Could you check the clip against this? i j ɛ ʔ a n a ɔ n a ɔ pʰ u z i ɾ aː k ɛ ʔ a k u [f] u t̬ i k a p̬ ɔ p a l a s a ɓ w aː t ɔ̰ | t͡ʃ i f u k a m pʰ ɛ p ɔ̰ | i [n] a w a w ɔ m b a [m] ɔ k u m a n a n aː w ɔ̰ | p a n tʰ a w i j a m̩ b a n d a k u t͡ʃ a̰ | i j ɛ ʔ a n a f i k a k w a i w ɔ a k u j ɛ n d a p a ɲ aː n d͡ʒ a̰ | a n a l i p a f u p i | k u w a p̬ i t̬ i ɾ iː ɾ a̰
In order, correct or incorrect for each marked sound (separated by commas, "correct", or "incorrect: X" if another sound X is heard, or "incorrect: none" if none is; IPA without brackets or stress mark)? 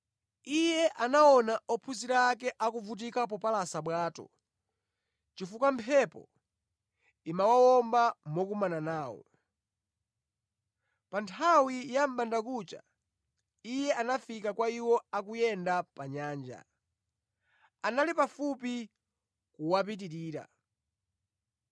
incorrect: v, incorrect: m, correct